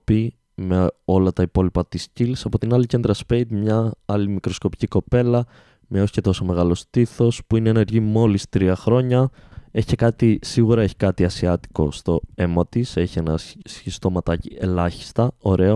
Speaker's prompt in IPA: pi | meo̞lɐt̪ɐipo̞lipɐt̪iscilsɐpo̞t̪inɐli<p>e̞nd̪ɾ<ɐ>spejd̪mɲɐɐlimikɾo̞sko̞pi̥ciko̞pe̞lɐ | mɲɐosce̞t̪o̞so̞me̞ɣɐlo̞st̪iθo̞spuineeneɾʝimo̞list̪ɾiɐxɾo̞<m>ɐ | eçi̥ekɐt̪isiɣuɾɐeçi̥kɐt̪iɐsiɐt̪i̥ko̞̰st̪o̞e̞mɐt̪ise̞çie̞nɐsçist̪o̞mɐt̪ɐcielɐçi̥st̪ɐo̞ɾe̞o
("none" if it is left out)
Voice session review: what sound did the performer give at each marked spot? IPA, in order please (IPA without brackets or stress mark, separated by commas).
c, ɐ, ɲ